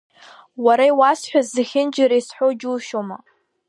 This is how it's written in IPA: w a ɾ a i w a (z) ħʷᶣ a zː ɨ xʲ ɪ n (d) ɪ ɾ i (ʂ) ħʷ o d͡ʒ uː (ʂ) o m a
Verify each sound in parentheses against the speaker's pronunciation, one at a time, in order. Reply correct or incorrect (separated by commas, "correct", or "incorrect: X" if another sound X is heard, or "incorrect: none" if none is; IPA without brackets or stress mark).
incorrect: s, incorrect: d͡ʒ, incorrect: s, incorrect: ʃ